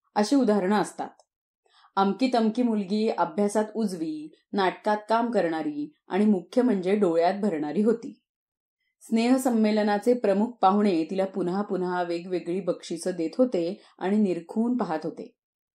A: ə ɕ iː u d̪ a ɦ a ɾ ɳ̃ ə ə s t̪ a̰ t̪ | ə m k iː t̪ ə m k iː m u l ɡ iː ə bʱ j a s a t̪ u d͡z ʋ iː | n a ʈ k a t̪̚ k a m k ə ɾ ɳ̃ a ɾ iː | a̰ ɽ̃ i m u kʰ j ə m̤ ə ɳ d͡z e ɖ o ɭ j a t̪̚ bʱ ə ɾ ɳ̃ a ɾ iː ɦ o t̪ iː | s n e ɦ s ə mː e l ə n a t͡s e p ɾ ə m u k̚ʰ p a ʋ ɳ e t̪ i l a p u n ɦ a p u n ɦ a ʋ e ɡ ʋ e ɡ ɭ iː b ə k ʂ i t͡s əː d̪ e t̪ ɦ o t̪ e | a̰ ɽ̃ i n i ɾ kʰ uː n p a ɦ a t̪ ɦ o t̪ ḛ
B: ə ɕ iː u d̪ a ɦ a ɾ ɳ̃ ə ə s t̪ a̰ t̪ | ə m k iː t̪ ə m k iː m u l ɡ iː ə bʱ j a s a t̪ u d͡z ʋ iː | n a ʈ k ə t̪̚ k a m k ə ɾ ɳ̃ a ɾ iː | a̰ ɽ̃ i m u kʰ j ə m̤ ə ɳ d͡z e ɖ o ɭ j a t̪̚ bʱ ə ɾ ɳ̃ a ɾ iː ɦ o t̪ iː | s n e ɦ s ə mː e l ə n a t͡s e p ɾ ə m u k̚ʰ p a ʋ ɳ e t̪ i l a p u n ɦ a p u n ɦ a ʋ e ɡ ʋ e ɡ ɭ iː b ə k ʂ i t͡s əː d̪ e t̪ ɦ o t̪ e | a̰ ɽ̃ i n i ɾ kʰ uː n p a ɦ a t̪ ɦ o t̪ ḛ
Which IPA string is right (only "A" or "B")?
A